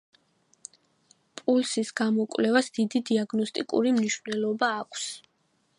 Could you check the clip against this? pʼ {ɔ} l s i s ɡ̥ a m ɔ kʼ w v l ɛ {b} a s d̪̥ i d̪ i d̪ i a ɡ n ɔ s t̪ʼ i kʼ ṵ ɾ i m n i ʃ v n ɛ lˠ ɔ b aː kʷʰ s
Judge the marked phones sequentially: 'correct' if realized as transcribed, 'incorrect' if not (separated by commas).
incorrect, incorrect